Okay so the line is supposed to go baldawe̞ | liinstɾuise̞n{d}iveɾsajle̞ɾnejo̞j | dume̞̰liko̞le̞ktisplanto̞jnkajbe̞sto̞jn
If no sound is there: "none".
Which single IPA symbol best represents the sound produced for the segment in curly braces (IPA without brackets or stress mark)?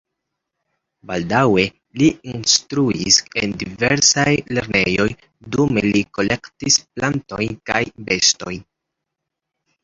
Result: d